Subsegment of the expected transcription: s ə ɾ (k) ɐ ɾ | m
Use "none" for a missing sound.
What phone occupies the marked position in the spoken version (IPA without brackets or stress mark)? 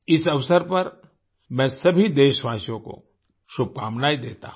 p